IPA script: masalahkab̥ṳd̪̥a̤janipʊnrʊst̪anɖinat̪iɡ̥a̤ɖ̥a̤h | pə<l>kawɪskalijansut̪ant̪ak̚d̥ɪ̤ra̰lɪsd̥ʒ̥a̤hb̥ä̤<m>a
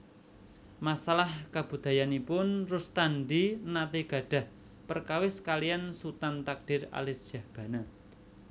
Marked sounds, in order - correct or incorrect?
incorrect: r, incorrect: n

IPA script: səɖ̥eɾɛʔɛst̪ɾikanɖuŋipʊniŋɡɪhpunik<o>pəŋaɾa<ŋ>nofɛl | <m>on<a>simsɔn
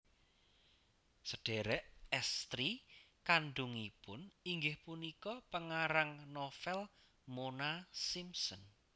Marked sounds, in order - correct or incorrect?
incorrect: ɔ, correct, correct, correct

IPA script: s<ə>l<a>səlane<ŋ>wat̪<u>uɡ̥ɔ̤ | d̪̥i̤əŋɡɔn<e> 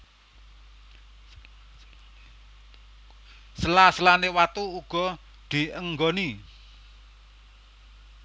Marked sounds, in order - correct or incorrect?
correct, correct, incorrect: none, correct, incorrect: i

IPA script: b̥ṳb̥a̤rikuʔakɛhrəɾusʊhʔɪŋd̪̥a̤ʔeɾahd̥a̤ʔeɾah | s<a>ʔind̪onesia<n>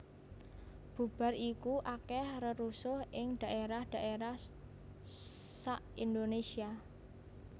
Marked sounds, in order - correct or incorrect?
correct, incorrect: none

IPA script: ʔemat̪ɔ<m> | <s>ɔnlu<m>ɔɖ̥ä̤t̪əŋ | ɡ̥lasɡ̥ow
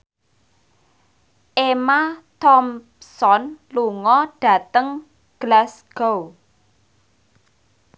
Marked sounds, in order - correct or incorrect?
correct, correct, incorrect: ŋ

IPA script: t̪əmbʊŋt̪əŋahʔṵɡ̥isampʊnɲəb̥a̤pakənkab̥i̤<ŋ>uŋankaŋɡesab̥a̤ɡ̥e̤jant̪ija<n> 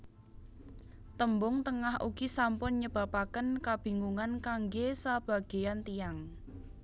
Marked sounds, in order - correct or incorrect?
correct, incorrect: ŋ

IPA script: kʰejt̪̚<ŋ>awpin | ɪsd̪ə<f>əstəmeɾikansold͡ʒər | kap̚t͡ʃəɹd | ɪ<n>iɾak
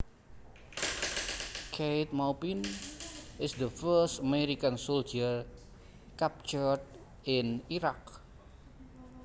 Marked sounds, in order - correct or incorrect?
incorrect: m, correct, correct

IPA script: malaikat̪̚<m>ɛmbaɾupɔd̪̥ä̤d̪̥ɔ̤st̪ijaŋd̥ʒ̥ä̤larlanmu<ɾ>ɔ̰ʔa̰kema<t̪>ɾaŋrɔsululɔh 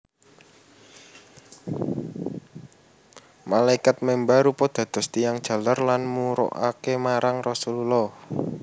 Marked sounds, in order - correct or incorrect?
correct, correct, incorrect: none

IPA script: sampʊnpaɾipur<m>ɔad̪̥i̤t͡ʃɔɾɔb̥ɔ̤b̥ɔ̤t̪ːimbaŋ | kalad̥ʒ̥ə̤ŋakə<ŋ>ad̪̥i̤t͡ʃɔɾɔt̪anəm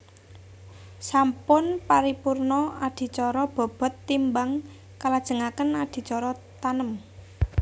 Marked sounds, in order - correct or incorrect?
incorrect: n, incorrect: n

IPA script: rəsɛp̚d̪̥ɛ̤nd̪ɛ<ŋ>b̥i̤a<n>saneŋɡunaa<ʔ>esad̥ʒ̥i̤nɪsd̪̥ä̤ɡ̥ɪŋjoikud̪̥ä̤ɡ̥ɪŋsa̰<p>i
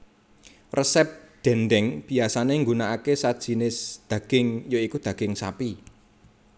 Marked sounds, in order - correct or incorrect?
correct, incorrect: none, incorrect: k, correct

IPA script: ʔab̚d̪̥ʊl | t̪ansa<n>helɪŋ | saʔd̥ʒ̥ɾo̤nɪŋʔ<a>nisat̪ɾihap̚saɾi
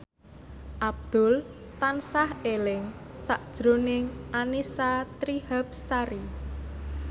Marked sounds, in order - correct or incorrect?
incorrect: none, correct

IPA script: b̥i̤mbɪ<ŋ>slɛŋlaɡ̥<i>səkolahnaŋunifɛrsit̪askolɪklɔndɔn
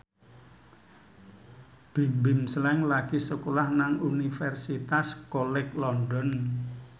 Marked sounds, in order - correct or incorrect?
incorrect: m, correct

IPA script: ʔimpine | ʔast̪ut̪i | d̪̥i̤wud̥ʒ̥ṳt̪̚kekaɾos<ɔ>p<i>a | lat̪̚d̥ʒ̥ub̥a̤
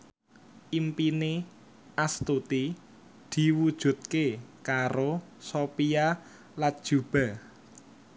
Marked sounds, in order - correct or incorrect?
incorrect: o, correct

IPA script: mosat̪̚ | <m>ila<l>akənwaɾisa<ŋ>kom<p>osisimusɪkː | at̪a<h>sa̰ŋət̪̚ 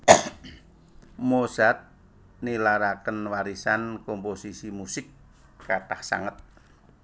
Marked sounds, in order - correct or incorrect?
incorrect: n, incorrect: ɾ, incorrect: n, correct, correct

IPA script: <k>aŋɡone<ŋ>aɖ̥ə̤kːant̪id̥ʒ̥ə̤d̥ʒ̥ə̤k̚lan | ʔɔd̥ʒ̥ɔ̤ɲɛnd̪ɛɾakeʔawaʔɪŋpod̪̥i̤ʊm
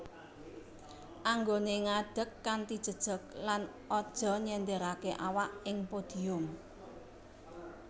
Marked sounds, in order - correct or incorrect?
incorrect: ʔ, correct

